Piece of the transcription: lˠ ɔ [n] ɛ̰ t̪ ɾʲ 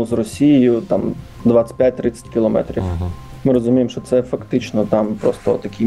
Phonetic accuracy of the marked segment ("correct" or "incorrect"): incorrect